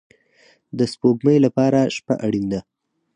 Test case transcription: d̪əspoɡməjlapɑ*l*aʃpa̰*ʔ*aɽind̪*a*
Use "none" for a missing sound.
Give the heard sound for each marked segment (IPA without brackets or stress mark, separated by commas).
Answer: ɾ, ʔ, a